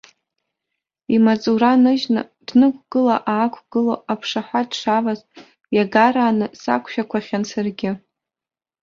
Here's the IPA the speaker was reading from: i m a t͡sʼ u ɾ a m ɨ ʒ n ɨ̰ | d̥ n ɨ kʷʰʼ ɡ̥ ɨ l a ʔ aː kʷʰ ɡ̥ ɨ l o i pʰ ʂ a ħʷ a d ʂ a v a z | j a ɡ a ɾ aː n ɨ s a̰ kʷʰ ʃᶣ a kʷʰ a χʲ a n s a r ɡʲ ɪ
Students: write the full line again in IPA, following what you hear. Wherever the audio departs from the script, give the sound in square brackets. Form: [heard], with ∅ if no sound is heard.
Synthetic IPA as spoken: i m a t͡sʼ u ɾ a [n] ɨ ʒ n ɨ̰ | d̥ n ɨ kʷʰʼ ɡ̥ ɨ l a ʔ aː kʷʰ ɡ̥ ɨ l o [a] pʰ ʂ a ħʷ a d ʂ a v a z | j a ɡ a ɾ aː n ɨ s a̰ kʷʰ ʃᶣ a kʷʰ a χʲ a n s a r ɡʲ ɪ